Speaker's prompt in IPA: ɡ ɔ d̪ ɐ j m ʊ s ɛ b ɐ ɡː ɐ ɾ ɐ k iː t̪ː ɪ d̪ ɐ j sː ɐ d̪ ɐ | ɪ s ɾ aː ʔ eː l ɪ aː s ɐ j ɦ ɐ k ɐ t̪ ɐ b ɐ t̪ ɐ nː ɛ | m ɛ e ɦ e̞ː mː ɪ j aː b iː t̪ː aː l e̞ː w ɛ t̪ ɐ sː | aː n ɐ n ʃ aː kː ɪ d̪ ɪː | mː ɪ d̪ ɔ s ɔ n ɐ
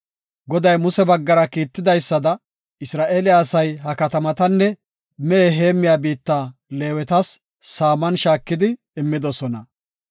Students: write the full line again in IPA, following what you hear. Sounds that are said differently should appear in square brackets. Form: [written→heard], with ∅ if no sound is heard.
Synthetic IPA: ɡ ɔ d̪ ɐ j m ʊ s ɛ b ɐ ɡː ɐ ɾ ɐ k iː t̪ː ɪ d̪ ɐ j sː ɐ d̪ ɐ | ɪ s ɾ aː ʔ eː l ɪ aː s ɐ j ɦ ɐ k ɐ t̪ ɐ [b→m] ɐ t̪ ɐ nː ɛ | m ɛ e ɦ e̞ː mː ɪ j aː b iː t̪ː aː l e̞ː w ɛ t̪ ɐ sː | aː [n→m] ɐ n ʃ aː kː ɪ d̪ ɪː | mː ɪ d̪ ɔ s ɔ n ɐ